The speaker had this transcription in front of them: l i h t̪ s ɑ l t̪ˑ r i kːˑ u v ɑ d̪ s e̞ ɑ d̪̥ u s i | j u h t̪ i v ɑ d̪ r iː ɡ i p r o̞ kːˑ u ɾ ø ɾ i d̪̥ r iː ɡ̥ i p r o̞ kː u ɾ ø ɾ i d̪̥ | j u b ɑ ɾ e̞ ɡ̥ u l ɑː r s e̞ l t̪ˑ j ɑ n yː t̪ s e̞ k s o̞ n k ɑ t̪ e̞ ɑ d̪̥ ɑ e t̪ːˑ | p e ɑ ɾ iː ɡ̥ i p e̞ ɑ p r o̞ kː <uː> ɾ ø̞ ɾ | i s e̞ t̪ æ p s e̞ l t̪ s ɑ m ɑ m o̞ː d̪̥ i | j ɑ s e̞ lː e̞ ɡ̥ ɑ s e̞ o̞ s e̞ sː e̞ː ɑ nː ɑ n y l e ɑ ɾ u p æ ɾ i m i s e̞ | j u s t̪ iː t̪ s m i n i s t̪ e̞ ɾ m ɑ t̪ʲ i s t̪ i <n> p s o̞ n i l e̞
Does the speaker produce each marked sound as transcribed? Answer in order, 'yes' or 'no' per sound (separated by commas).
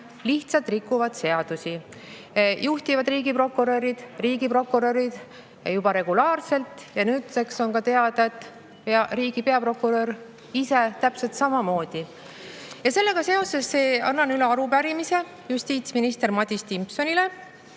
no, no